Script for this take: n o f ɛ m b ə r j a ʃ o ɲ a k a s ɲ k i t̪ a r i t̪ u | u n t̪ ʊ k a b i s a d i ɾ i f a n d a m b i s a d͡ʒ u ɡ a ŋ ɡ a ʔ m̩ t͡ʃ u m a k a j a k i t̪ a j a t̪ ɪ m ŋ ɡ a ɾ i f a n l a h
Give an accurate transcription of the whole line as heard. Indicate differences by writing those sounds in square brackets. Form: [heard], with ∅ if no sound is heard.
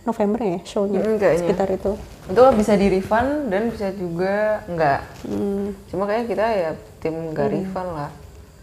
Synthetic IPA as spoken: n o f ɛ m b ə r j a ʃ o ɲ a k a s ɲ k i t̪ a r i t̪ u | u n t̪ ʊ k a b i s a d i ɾ i f a n d a [n] b i s a d͡ʒ u ɡ a ŋ ɡ a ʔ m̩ t͡ʃ u m a k a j a k i t̪ a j a t̪ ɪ m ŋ ɡ a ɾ i f a n l a h